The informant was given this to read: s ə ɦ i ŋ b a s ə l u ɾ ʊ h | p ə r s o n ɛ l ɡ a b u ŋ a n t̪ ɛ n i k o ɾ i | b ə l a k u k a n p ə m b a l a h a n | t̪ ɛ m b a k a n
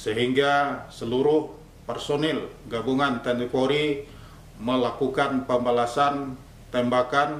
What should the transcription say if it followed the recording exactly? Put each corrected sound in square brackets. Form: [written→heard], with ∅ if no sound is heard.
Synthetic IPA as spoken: s ə ɦ i ŋ [b→ɡ] a s ə l u ɾ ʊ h | p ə r s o n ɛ l ɡ a b u ŋ a n t̪ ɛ n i k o ɾ i | [b→m] ə l a k u k a n p ə m b a l a [h→s] a n | t̪ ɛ m b a k a n